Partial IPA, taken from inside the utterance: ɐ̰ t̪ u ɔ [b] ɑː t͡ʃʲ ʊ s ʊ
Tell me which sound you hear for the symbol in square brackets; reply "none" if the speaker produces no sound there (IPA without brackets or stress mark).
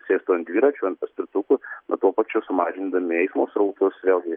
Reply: p